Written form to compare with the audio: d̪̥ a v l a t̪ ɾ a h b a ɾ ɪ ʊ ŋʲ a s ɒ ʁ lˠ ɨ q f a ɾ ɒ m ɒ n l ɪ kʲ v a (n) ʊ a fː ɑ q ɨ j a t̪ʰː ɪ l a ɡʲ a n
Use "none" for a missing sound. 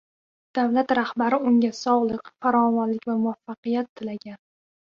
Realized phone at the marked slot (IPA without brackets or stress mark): m